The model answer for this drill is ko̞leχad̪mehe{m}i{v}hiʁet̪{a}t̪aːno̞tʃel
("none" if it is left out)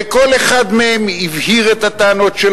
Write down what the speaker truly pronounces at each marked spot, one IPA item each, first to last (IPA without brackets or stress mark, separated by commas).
m, v, a